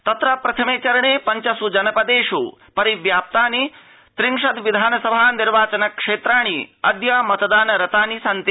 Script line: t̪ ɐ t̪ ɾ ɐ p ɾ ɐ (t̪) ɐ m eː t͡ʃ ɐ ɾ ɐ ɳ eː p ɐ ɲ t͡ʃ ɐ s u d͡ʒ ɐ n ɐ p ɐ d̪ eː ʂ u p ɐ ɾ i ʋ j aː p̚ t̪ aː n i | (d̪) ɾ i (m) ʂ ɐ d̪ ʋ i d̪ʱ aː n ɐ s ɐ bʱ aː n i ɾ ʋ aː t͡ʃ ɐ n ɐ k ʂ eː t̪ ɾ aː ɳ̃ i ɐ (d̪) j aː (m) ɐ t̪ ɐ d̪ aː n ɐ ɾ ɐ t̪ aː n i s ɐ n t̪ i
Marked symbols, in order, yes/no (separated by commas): no, no, no, yes, yes